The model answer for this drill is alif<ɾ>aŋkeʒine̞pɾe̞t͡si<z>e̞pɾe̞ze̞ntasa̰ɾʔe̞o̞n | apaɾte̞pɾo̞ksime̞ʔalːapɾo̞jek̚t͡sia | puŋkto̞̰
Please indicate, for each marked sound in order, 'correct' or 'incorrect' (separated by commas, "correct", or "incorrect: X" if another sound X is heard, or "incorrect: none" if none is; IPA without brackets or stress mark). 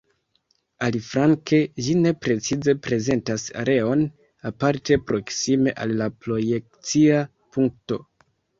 correct, correct